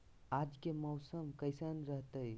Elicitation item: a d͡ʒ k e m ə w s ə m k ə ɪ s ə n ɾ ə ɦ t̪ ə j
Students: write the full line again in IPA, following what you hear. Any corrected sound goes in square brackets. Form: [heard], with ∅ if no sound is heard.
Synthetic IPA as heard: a d͡ʒ k e m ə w s ə m k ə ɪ s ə n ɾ ə ɦ t̪ ə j

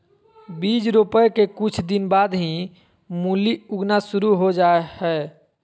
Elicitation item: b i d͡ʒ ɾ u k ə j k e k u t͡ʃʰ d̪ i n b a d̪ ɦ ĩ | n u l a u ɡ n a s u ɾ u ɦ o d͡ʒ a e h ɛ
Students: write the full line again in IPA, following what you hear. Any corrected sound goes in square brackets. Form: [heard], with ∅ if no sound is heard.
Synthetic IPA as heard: b i d͡ʒ ɾ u [p] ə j k e k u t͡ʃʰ d̪ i n b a d̪ ɦ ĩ | [m] u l [i] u ɡ n a s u ɾ u ɦ o d͡ʒ a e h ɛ

